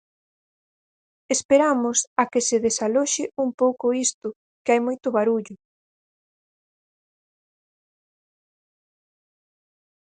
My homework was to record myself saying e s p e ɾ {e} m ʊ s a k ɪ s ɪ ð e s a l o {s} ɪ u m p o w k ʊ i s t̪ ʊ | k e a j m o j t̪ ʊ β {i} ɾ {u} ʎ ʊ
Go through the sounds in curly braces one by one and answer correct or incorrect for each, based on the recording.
incorrect: a, incorrect: ʃ, incorrect: a, correct

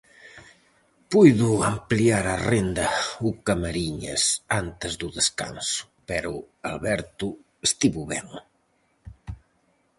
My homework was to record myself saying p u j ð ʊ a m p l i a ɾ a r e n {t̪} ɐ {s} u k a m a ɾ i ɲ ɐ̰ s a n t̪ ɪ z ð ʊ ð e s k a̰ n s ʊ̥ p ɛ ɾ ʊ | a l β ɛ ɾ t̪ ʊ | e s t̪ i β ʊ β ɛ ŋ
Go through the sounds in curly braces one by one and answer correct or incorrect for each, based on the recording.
incorrect: d̪, incorrect: none

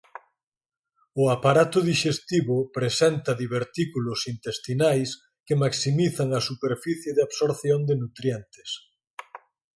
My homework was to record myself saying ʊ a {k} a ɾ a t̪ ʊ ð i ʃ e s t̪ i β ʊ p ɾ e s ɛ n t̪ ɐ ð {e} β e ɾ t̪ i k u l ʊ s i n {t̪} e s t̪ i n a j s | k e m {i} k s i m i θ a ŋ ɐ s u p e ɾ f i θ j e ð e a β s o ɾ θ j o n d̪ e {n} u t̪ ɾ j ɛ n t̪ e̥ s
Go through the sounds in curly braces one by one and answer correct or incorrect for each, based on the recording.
incorrect: p, incorrect: i, correct, incorrect: a, correct

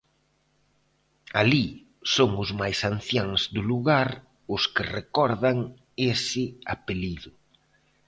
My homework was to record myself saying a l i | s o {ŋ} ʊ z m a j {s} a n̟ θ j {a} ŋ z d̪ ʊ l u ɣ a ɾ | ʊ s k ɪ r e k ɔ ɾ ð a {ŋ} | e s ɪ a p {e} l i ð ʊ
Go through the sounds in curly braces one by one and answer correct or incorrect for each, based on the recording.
correct, correct, correct, correct, correct

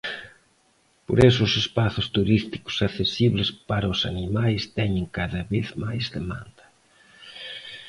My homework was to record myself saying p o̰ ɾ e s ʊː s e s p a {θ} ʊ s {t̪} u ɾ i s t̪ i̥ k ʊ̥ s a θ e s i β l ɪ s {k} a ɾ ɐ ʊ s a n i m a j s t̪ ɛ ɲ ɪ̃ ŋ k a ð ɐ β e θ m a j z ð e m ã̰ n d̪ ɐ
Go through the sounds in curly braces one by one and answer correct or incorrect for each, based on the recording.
correct, correct, incorrect: p

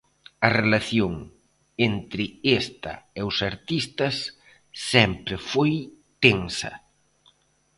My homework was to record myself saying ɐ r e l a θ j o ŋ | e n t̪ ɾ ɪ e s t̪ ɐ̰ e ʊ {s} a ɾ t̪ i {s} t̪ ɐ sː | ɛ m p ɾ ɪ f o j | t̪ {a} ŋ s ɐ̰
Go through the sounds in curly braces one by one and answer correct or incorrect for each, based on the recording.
correct, correct, incorrect: e

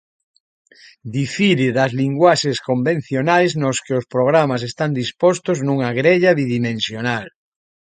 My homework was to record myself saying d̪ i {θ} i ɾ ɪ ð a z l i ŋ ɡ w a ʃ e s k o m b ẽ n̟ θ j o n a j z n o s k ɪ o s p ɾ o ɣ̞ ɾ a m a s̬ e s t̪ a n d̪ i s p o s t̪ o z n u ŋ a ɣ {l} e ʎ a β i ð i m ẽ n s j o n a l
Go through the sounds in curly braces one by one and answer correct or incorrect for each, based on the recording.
incorrect: f, incorrect: ɾ

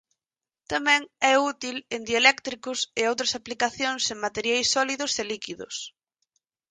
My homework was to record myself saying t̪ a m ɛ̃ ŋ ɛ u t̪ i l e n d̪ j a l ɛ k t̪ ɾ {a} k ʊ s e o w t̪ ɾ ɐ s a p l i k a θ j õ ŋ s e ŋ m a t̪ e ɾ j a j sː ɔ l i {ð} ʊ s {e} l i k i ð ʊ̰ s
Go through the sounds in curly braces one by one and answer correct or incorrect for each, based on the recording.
incorrect: i, correct, correct

